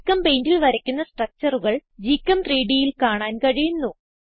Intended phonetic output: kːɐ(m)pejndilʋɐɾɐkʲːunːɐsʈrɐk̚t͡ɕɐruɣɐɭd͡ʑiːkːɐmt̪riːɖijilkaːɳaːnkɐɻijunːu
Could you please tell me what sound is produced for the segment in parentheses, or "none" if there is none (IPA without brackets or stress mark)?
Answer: m